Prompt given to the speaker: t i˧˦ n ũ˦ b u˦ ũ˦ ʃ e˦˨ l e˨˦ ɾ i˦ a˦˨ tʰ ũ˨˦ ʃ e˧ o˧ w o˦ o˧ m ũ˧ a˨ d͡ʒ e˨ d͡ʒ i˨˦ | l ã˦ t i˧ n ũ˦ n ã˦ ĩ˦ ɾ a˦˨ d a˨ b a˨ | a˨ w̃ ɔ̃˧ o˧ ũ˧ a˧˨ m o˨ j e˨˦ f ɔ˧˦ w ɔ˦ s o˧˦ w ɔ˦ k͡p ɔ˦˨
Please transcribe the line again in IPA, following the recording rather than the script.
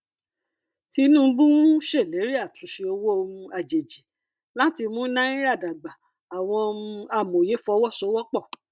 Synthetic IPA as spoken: t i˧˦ n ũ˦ b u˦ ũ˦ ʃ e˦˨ l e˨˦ ɾ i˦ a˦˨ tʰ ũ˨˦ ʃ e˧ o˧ w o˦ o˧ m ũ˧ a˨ d͡ʒ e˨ d͡ʒ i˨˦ | l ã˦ t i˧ m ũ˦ n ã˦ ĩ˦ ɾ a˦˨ d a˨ ɡ͡b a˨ | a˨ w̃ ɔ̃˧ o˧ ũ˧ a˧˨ m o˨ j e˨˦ f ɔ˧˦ w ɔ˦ s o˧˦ w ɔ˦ k͡p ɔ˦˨

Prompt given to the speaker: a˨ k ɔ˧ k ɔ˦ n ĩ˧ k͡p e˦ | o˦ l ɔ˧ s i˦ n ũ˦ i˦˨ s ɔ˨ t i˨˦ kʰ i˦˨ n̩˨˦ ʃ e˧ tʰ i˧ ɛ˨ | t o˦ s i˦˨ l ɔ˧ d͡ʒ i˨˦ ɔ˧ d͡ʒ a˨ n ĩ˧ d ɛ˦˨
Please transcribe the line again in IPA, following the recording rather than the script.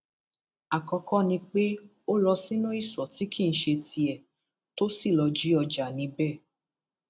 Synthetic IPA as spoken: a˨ k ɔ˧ k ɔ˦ n ĩ˧ k͡p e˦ | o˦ l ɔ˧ s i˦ n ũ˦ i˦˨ s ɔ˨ t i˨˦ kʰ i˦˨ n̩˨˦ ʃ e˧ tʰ i˧ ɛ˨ | t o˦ s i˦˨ l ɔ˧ d͡ʒ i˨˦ ɔ˧ d͡ʒ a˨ n ĩ˧ b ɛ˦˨

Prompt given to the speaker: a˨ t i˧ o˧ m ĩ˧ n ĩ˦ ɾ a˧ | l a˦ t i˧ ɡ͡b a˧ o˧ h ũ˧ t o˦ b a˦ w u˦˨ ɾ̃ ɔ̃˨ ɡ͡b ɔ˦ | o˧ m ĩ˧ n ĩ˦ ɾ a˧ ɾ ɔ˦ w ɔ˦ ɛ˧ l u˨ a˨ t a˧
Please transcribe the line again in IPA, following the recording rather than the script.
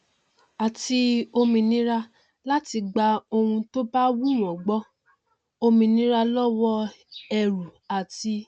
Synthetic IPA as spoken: a˨ t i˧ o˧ m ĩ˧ n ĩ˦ ɾ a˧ | l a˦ t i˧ ɡ͡b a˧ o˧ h ũ˧ t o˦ b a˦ w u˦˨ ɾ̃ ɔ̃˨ ɡ͡b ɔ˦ | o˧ m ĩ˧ n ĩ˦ ɾ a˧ l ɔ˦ w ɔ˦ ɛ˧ ɾ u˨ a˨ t i˧

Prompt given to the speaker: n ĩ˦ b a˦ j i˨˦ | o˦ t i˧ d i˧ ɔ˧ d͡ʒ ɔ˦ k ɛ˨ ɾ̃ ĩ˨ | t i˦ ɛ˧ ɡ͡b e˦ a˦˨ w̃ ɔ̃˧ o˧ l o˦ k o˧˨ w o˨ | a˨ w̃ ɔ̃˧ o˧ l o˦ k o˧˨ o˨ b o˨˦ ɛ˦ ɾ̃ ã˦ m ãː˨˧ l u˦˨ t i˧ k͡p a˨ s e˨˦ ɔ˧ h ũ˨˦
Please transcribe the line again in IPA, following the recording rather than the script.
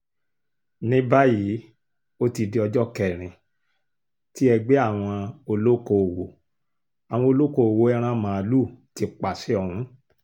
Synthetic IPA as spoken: n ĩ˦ b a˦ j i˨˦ | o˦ t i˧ d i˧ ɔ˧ d͡ʒ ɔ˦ k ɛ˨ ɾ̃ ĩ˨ | t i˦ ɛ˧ ɡ͡b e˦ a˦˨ w̃ ɔ̃˧ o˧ l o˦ k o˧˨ w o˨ | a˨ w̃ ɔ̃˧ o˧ l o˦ k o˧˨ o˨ w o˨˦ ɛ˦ ɾ̃ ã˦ m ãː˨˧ l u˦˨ t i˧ k͡p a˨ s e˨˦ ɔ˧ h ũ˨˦

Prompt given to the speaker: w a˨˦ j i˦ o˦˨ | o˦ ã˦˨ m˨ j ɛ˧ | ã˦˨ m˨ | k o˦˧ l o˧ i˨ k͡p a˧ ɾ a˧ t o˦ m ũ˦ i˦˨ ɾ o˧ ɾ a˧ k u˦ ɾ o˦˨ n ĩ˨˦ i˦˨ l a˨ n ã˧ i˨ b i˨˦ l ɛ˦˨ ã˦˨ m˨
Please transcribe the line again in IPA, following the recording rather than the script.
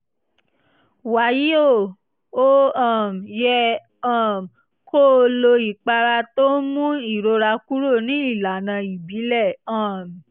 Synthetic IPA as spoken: w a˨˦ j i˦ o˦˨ | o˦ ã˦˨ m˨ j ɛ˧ | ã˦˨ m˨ | k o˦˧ l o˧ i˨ k͡p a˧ ɾ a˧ t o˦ m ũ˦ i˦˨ ɾ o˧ ɾ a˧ k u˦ ɾ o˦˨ n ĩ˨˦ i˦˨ l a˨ n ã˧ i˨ b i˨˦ l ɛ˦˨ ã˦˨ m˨

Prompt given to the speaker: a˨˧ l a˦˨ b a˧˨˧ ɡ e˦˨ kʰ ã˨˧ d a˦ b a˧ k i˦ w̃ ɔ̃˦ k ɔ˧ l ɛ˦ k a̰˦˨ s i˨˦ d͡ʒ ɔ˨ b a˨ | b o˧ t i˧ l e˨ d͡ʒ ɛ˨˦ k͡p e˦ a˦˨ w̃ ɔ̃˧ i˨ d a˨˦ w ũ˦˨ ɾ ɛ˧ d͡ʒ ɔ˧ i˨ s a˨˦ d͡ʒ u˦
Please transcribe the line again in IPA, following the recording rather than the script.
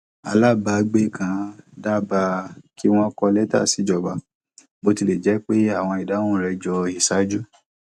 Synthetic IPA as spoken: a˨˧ l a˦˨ b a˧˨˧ ɡ͡b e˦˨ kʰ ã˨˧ d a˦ b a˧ k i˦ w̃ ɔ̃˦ k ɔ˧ l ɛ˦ t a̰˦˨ s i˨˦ d͡ʒ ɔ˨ b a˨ | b o˧ t i˧ l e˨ d͡ʒ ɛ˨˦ k͡p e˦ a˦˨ w̃ ɔ̃˧ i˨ d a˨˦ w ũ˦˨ ɾ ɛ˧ d͡ʒ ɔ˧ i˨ s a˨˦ d͡ʒ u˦

